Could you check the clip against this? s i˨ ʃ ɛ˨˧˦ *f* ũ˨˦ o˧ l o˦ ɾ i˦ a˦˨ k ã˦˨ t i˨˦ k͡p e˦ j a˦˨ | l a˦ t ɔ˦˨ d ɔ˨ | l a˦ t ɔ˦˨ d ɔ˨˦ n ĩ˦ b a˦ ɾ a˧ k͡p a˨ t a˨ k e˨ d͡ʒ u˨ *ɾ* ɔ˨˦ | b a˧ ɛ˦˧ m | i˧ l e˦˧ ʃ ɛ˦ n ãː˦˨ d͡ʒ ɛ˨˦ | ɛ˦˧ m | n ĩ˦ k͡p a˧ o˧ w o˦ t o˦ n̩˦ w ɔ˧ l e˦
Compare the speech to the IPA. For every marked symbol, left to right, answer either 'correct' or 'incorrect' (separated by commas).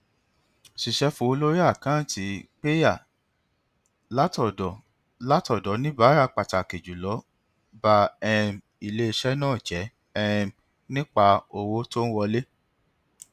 correct, incorrect